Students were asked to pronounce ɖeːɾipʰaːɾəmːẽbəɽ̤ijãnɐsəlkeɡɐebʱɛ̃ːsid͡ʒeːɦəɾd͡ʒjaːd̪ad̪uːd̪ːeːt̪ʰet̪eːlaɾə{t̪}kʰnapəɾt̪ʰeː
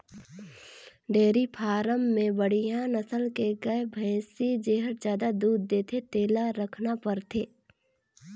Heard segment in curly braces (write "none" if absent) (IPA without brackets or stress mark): none